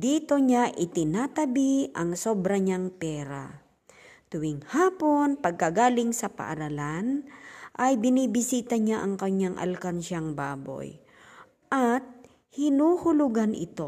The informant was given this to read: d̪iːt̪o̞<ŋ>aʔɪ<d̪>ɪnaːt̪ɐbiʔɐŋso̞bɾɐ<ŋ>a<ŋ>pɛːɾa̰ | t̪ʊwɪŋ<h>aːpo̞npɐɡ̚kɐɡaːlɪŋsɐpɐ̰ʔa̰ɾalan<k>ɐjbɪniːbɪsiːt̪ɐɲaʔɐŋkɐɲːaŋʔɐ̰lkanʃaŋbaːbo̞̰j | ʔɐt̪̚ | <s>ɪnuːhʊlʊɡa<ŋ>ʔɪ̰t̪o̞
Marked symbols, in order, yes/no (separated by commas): no, no, no, yes, yes, no, no, no